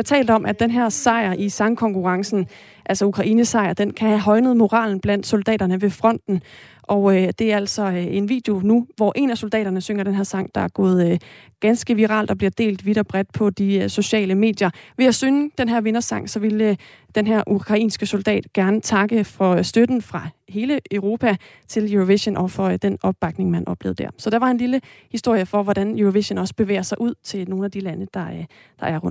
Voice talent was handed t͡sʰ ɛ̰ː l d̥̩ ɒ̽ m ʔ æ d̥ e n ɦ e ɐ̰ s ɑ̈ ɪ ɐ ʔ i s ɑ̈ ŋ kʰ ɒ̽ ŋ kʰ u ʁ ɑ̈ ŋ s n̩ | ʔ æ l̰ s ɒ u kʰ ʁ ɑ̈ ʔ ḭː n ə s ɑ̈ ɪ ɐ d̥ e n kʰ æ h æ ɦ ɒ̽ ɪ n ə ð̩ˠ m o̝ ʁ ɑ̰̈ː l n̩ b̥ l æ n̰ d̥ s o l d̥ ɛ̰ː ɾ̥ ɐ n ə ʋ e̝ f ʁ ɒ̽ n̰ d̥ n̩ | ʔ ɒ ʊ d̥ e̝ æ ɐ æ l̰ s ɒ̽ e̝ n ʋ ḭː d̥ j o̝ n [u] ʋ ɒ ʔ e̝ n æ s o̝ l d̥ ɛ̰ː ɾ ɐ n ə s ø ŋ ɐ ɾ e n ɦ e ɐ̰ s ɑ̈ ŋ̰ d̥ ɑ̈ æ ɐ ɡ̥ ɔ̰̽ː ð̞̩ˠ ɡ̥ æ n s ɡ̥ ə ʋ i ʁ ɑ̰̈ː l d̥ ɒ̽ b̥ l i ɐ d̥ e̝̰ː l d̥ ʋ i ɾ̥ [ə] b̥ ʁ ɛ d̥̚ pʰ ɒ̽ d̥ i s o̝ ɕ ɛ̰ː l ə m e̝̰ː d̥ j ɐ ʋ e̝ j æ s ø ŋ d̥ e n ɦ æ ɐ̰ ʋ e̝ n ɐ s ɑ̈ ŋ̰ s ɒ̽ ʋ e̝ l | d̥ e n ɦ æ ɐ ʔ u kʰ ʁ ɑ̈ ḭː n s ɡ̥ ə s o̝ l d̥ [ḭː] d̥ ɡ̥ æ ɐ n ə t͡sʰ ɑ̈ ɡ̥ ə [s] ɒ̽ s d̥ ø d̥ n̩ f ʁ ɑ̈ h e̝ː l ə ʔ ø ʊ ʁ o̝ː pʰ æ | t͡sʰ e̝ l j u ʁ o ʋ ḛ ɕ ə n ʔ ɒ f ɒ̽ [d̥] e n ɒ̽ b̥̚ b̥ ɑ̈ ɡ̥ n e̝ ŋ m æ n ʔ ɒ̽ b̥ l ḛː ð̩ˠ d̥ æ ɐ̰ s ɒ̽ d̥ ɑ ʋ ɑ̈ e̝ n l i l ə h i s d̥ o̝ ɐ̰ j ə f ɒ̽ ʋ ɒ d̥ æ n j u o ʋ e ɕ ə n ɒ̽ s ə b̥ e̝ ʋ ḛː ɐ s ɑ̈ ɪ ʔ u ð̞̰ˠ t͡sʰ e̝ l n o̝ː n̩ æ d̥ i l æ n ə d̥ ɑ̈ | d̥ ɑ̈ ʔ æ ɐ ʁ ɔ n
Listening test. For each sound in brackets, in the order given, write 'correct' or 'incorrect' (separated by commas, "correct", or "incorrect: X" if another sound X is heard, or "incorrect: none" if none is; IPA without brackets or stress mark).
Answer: correct, incorrect: ɐ, incorrect: ɛ̰ː, incorrect: f, correct